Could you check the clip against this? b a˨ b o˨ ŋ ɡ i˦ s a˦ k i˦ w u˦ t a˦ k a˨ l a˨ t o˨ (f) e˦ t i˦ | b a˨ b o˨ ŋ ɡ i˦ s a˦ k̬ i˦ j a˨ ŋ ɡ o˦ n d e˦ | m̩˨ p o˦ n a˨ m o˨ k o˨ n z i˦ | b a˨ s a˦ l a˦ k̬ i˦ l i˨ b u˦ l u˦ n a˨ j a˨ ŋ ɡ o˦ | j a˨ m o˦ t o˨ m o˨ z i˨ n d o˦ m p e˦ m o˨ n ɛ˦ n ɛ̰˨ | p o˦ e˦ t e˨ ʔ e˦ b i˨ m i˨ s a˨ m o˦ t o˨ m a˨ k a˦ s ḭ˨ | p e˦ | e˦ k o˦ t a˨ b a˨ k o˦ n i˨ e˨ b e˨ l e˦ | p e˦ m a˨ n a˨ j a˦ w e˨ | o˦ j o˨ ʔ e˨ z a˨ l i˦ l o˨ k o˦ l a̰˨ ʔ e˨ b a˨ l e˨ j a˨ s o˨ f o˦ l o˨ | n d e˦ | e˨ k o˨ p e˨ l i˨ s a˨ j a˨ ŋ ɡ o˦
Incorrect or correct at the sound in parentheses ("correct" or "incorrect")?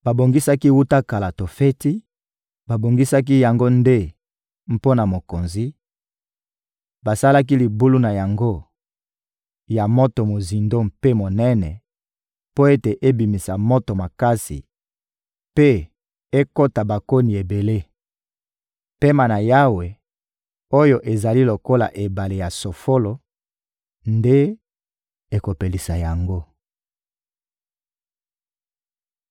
correct